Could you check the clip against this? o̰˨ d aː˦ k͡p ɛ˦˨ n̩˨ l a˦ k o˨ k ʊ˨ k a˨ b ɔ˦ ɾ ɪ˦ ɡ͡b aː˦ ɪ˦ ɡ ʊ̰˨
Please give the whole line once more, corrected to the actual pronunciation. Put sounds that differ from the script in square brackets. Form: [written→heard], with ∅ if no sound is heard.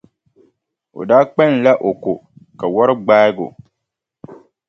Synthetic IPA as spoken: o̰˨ d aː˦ k͡p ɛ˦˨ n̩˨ l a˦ [k→ʔ] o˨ k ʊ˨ k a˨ [b→w] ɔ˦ ɾ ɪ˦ ɡ͡b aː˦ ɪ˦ ɡ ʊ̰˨